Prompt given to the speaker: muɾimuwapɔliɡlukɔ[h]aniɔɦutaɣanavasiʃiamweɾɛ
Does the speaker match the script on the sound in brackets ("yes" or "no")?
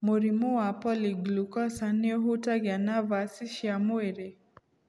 no